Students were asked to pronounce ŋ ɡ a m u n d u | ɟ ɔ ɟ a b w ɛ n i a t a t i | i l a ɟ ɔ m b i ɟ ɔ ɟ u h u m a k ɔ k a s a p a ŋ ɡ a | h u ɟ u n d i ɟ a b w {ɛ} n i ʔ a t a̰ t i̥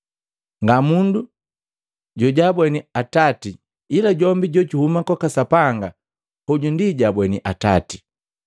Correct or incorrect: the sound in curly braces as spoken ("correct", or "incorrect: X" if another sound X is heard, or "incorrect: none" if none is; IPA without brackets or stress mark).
correct